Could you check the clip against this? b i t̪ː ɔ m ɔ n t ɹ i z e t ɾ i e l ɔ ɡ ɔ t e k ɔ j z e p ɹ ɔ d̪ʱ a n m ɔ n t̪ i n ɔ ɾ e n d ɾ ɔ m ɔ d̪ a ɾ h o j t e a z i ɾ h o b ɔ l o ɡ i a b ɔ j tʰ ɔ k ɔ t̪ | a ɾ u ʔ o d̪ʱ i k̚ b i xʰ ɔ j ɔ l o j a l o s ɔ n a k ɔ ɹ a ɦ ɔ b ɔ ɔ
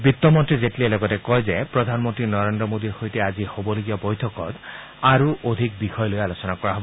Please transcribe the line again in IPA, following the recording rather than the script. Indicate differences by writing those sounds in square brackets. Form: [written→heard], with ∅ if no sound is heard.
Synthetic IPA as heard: b i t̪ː ɔ m ɔ n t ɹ i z e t [ɾ→l] i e l ɔ ɡ ɔ t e k ɔ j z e p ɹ ɔ d̪ʱ a n m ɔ n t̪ i n ɔ ɾ e n d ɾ ɔ m [ɔ→o] d̪ [a→i] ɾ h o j t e a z i [ɾ→∅] h o b ɔ l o ɡ i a b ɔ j tʰ ɔ k ɔ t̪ | a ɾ u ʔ o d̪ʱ i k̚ b i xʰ ɔ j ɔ l o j a l o s ɔ n a k ɔ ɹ a ɦ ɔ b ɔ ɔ